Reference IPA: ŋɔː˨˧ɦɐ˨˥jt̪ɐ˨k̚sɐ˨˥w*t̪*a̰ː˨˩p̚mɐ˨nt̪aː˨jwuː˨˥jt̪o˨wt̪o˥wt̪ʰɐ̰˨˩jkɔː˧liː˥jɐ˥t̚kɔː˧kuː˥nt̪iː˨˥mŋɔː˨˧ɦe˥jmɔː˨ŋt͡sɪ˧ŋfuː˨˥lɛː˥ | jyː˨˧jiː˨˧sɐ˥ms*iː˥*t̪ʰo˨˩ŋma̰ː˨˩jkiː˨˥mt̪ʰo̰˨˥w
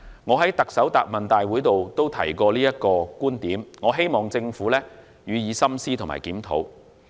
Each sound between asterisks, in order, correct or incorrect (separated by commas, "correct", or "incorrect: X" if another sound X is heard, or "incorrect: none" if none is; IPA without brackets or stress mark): correct, correct